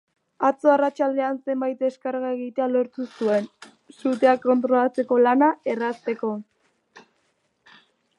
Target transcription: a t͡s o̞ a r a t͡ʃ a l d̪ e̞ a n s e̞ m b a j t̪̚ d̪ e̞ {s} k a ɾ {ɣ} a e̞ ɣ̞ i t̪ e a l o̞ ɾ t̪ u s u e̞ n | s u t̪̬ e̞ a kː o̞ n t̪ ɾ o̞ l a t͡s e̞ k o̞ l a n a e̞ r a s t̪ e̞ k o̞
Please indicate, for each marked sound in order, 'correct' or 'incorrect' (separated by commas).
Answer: correct, correct